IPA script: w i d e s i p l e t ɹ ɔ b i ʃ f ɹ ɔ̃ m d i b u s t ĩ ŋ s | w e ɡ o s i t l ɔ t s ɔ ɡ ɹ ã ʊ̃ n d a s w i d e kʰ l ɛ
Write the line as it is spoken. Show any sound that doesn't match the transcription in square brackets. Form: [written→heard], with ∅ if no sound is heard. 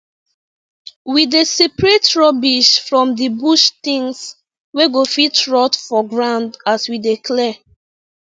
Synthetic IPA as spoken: w i d e s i p [l→ɹ] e t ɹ ɔ b i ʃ f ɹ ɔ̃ m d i b u [s→ʃ] t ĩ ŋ s | w e ɡ o [s→f] i t [l→ɹ] ɔ t [s→f] ɔ ɡ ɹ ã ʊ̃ n d a s w i d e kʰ l ɛ